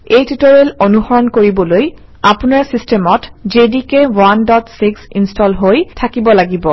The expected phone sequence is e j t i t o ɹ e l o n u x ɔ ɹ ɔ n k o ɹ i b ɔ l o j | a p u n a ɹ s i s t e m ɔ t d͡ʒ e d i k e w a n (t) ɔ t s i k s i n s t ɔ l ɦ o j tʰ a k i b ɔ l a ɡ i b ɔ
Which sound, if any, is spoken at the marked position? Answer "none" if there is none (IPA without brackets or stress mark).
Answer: d